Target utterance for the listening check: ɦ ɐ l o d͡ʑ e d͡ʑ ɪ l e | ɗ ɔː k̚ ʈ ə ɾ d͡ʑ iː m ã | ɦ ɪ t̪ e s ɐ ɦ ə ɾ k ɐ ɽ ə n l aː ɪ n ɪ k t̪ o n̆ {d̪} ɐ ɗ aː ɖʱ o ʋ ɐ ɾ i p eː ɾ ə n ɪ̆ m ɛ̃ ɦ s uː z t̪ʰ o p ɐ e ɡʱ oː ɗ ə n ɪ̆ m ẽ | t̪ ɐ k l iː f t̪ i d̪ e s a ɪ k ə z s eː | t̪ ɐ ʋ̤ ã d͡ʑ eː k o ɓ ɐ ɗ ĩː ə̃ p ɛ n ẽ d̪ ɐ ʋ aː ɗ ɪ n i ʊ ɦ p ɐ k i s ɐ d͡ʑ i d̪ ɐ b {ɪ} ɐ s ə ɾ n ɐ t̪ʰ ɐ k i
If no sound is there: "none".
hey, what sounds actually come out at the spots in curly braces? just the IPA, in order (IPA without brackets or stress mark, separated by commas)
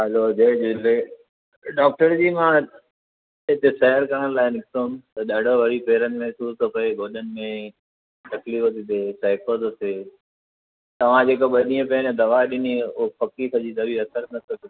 t̪, i